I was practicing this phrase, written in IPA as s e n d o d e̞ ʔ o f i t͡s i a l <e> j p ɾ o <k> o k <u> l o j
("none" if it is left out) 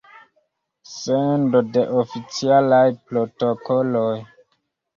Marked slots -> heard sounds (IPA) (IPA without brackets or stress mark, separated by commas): a, t, o